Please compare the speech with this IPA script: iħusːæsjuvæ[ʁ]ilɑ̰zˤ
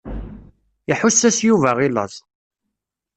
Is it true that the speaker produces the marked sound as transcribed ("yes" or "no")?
yes